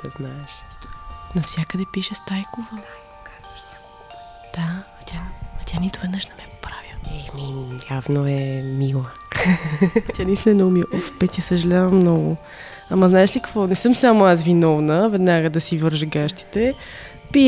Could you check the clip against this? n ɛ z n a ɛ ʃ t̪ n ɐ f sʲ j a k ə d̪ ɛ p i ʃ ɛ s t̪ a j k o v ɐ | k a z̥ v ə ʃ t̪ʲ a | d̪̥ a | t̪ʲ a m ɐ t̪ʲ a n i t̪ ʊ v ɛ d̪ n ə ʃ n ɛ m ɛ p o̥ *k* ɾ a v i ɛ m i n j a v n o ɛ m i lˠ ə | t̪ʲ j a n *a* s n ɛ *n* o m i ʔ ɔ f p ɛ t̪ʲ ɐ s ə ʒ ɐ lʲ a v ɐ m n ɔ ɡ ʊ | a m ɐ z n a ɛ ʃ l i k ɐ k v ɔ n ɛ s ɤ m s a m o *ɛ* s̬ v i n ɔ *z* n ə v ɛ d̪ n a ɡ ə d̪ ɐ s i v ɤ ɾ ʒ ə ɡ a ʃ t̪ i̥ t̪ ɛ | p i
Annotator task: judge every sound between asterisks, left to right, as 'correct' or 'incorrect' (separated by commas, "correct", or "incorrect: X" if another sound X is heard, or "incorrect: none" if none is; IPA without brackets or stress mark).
incorrect: p, incorrect: i, correct, incorrect: a, incorrect: v